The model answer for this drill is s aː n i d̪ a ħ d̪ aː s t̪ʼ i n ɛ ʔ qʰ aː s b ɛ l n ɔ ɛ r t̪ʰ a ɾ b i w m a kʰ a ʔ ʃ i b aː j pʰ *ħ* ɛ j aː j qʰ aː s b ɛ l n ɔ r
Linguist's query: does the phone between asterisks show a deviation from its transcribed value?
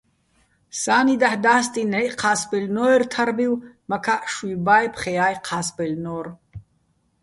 yes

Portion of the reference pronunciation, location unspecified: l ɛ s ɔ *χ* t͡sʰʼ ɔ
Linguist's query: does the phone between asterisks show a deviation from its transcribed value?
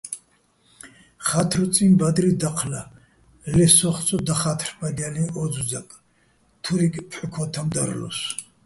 no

